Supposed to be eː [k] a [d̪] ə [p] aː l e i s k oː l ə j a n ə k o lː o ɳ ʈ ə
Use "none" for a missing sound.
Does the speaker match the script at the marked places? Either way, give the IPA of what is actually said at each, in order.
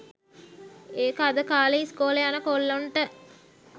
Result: k, d̪, k

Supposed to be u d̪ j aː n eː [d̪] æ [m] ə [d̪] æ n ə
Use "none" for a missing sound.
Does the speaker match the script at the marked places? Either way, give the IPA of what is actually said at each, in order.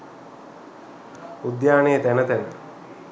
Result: t̪, n, t̪

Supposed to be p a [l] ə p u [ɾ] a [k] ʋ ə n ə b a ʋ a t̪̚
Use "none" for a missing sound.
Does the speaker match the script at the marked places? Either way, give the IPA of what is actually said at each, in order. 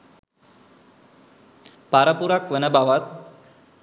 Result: ɾ, ɾ, k

